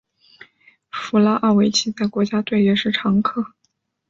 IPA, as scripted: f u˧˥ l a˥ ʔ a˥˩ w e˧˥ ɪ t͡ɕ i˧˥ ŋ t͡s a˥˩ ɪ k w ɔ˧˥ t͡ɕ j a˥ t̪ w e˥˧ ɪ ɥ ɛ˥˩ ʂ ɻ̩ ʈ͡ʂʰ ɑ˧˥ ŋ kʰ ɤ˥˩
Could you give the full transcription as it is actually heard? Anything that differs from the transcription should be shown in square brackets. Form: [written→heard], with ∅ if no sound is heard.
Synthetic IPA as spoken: f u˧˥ l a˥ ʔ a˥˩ w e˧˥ ɪ [t͡ɕ→t͡ɕʰ] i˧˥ [ŋ→∅] t͡s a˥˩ ɪ k w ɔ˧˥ t͡ɕ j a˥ t̪ w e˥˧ ɪ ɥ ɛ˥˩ ʂ ɻ̩ ʈ͡ʂʰ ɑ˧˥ ŋ kʰ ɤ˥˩